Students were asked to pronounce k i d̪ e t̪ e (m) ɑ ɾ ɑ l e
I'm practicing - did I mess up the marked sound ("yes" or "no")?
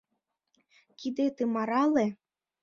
no